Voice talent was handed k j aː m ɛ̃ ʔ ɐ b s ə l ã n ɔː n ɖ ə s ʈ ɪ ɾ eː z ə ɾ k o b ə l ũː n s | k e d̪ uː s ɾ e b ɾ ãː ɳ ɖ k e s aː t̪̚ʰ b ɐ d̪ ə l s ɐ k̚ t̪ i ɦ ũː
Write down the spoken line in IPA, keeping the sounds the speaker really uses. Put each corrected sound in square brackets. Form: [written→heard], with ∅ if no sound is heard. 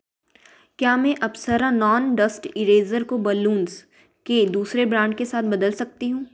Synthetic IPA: k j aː m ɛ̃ ʔ ɐ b s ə [l→ɾ] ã n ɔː n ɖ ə s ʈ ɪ ɾ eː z ə ɾ k o b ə l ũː n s | k e d̪ uː s ɾ e b ɾ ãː ɳ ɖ k e s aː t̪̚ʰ b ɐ d̪ ə l s ɐ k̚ t̪ i ɦ ũː